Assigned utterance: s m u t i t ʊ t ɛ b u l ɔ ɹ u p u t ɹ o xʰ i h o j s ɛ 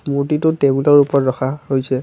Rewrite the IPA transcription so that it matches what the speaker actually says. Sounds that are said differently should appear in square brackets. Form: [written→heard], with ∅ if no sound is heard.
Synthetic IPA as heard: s m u t i t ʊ t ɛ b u l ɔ ɹ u p [u→ɔ] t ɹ [o→ɔ] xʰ [i→a] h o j s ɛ

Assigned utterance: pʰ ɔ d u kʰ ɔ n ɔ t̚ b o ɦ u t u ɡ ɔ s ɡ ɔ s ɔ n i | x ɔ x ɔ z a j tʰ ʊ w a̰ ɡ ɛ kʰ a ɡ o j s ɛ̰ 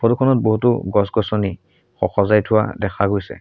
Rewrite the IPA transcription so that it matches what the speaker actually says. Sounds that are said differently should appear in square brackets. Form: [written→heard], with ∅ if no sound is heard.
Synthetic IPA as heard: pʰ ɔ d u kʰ ɔ n ɔ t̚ b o ɦ u t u ɡ ɔ s ɡ ɔ s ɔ n i | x ɔ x ɔ z a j tʰ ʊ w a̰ [ɡ→d] ɛ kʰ a ɡ o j s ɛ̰

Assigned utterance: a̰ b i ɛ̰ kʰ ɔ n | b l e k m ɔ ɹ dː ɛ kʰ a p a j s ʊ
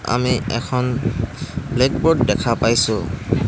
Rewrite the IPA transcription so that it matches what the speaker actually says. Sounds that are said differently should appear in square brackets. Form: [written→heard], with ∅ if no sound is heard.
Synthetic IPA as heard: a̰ [b→m] i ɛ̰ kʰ ɔ n | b l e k [m→b] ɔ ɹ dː ɛ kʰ a p a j s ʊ

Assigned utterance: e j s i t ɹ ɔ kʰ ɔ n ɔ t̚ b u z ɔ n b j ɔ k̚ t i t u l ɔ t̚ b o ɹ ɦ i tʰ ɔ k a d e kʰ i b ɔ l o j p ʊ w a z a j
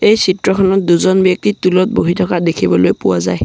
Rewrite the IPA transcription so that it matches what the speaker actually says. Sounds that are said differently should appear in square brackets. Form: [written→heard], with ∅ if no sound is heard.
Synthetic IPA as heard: e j s i t ɹ ɔ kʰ ɔ n ɔ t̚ [b→d] u z ɔ n b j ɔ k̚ t i t u l ɔ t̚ b o [ɹ→∅] ɦ i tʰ ɔ k a d e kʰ i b ɔ l o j p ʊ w a z a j

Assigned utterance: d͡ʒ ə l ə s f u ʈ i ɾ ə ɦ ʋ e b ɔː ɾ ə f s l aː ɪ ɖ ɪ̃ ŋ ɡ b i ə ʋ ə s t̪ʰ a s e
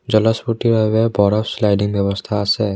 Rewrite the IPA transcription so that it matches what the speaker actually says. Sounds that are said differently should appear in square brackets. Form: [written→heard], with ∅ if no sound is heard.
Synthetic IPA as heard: d͡ʒ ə l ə s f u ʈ i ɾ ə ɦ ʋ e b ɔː ɾ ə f s l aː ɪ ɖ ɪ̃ ŋ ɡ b [i→j] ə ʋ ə s t̪ʰ a s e

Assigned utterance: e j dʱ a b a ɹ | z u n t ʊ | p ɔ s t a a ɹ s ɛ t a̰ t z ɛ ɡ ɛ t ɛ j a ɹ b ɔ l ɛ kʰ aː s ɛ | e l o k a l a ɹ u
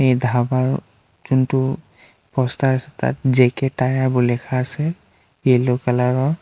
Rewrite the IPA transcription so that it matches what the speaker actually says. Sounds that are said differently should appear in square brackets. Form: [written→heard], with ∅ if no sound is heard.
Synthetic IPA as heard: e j dʱ a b a ɹ | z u n t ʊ | p ɔ s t a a [ɹ→∅] s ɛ t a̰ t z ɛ [ɡ→k] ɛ t [ɛ→a] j a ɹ b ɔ l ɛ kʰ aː s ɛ | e l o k a l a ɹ [u→ɔ]

